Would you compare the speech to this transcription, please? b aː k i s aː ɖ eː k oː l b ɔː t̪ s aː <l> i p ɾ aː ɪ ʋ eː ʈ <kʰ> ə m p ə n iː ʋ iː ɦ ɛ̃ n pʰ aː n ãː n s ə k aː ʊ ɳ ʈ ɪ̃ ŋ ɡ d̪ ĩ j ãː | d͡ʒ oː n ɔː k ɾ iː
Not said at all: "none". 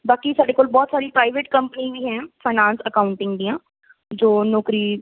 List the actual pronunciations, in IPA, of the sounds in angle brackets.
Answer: ɾ, k

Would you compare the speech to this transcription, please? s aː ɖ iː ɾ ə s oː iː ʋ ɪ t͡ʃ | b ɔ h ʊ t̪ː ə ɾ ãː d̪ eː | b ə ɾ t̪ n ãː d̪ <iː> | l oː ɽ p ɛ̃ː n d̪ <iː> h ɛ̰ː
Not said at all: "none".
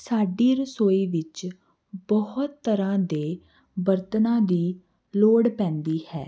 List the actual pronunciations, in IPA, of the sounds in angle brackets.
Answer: iː, iː

